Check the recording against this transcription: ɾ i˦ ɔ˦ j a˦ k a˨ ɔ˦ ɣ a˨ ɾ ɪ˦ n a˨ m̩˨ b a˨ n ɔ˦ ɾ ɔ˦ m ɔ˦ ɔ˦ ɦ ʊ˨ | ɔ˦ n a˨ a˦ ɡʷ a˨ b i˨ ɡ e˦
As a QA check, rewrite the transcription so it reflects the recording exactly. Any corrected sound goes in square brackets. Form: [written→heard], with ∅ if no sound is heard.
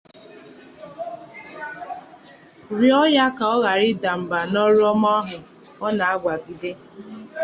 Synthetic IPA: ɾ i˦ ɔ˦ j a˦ k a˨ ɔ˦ ɣ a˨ ɾ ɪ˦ [n→d] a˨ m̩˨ b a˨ n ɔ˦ ɾ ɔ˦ m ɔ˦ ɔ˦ ɦ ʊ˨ | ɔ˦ n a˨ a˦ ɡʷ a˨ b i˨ [ɡ→d] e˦